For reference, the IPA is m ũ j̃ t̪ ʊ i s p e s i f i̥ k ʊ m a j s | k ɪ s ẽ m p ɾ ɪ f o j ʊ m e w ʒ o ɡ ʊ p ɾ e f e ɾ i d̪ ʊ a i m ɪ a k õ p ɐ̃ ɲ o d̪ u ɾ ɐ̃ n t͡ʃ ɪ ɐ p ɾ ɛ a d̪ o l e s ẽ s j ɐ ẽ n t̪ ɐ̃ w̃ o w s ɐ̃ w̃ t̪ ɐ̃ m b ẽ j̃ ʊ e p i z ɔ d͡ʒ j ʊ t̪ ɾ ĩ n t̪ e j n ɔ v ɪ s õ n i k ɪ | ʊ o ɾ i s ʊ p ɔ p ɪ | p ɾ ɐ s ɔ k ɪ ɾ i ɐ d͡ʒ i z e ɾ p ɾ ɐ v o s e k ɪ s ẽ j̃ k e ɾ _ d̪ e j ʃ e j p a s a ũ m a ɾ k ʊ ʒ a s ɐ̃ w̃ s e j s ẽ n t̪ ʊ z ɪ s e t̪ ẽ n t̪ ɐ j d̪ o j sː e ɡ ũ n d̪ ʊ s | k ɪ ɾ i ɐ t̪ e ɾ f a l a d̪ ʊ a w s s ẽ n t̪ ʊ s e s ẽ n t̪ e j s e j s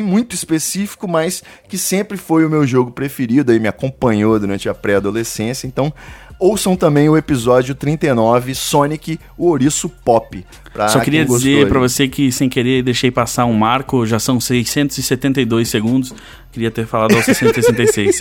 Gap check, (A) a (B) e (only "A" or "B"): B